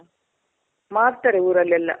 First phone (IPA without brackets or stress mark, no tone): m